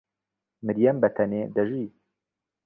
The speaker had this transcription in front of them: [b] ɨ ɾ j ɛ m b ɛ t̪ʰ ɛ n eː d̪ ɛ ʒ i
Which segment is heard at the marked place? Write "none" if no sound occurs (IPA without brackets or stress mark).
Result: m